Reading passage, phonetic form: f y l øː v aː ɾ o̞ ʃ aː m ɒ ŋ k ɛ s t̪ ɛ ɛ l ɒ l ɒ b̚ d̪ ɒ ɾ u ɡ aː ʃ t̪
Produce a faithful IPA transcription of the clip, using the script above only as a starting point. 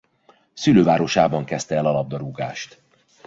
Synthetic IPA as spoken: s y l øː v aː ɾ o̞ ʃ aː b ɒ ŋ k ɛ s t̪ ɛ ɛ l ɒ l ɒ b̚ d̪ ɒ ɾ u ɡ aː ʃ t̪